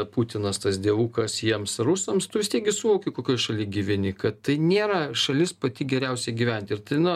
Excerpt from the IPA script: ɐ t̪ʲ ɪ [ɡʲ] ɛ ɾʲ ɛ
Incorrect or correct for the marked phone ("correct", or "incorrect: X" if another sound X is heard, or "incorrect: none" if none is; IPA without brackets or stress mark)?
correct